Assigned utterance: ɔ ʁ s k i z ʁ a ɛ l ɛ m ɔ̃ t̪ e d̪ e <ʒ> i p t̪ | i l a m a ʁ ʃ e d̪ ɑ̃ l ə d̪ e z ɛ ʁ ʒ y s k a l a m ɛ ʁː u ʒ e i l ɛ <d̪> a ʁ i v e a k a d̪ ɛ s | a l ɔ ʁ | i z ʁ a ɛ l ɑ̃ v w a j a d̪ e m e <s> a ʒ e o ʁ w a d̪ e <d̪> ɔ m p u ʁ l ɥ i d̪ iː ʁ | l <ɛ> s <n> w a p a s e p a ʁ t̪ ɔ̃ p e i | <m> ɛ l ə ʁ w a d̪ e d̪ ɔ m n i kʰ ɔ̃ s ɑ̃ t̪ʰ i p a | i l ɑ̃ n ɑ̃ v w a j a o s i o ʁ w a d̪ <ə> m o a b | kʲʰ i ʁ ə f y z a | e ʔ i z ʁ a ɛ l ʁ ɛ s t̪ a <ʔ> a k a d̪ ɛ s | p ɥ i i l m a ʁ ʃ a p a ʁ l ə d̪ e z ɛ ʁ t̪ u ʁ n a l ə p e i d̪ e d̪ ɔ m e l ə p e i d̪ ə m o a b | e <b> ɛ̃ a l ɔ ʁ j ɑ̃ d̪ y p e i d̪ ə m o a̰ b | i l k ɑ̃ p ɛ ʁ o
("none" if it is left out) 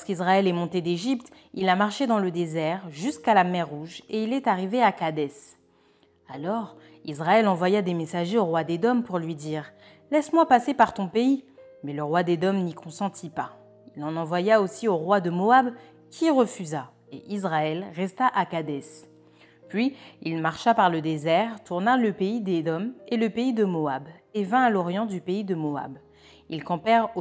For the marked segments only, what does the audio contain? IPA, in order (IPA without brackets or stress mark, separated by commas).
ʒ, t̪, s, d̪, ɛ, m, m, ə, ʔ, v